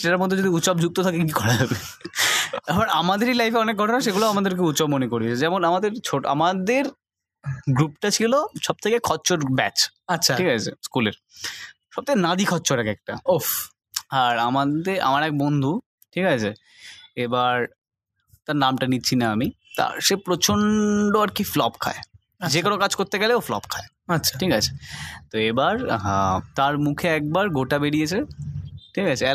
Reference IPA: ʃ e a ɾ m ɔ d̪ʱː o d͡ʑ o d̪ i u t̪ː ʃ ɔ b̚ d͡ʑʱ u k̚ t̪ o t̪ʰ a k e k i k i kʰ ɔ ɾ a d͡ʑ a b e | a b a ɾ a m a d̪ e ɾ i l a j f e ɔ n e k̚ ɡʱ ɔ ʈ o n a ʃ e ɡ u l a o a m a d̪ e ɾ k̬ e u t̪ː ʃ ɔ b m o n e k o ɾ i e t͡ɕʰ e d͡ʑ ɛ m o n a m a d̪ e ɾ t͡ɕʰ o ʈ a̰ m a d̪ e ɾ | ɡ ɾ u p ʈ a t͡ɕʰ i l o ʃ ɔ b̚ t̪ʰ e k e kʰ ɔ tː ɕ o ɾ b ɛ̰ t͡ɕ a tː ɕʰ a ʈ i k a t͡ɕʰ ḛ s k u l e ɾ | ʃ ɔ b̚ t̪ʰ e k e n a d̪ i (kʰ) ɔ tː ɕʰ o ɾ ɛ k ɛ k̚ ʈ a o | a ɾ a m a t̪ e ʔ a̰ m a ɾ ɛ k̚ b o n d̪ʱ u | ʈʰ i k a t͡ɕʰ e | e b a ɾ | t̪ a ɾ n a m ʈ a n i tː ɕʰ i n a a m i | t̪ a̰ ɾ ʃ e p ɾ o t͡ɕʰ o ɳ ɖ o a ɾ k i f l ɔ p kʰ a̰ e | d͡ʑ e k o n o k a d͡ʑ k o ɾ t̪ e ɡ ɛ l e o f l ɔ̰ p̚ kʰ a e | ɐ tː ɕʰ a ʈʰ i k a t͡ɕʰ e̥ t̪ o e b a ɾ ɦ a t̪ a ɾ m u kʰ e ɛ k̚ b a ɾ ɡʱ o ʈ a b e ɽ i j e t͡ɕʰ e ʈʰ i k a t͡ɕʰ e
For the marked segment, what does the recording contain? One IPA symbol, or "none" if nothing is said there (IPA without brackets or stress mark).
kʰ